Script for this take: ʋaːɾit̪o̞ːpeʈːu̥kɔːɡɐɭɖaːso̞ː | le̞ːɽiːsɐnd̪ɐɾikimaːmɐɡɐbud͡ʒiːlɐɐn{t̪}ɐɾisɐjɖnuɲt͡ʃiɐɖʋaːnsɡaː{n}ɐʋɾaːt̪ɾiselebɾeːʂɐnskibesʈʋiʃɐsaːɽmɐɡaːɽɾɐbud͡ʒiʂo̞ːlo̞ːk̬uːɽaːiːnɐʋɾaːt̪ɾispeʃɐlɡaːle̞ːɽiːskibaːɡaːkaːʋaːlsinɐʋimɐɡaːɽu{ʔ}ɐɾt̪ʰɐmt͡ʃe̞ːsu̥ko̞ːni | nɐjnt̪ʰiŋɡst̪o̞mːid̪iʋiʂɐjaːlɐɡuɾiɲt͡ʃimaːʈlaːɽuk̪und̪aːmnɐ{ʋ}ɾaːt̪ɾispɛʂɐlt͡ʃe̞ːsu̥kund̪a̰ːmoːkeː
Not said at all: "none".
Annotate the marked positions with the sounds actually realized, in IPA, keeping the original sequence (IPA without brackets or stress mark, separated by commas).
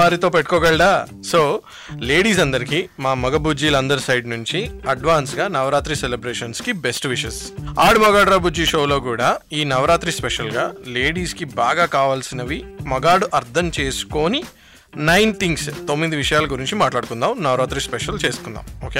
d̪, n, ʔ, ʋ